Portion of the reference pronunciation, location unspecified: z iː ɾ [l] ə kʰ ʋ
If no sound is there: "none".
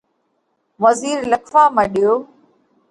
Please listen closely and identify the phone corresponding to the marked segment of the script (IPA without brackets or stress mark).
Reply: l